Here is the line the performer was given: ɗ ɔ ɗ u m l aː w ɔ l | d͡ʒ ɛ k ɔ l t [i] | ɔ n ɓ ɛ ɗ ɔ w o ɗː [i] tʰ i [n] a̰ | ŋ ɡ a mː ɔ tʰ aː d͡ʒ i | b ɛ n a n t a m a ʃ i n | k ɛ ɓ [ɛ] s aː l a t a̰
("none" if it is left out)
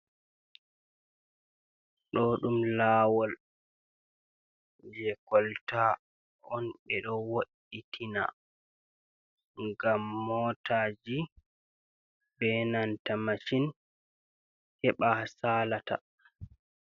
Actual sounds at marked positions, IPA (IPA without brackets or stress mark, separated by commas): a, i, n, a